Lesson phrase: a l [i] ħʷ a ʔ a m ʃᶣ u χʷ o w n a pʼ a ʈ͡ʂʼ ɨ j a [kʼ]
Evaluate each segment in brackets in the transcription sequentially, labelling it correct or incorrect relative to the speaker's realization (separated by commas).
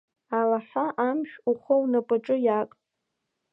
incorrect, correct